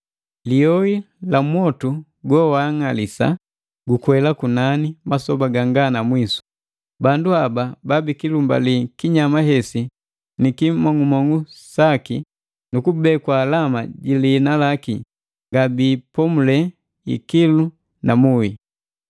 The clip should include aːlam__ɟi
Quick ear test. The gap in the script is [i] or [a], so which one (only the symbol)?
a